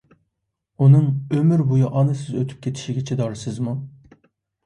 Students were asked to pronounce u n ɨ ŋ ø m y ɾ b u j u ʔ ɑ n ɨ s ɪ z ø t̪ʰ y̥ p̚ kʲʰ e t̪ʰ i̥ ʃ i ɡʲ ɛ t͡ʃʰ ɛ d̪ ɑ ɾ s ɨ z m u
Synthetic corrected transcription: u n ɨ ŋ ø m y ɾ b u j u ʔ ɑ n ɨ s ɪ z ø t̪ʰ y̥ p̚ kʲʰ e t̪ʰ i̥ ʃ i ɡʲ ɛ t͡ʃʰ ɛ d̪ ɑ ɾ s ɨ z m u